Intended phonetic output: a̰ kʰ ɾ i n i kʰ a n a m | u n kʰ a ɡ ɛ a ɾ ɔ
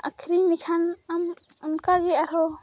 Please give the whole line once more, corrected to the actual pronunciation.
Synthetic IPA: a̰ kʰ ɾ i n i kʰ a n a m | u n k a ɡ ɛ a ɾ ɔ